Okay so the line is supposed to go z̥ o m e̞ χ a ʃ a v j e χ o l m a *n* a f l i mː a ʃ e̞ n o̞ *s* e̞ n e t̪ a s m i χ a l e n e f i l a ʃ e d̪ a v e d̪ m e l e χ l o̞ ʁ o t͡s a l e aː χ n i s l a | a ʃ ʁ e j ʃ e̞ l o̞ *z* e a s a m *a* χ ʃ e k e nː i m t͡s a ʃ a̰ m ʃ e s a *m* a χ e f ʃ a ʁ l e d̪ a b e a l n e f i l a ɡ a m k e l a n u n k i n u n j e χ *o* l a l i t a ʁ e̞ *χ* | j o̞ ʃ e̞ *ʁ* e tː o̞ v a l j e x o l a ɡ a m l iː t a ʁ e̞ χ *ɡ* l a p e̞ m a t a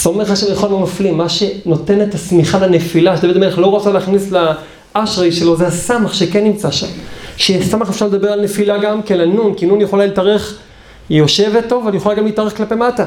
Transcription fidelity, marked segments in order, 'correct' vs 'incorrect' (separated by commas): incorrect, incorrect, correct, correct, correct, correct, correct, incorrect, incorrect